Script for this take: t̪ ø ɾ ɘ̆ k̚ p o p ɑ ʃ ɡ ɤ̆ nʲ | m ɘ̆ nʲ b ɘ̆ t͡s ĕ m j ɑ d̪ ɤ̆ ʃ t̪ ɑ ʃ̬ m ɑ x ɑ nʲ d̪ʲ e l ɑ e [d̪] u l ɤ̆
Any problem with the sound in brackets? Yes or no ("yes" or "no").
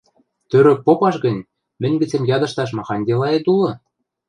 yes